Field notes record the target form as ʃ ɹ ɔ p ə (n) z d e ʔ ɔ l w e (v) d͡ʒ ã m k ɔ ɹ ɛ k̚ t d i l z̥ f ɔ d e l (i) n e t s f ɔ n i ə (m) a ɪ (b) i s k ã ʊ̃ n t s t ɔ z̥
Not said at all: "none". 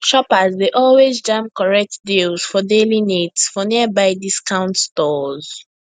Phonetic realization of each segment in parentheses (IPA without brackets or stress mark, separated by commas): none, z, i, b, d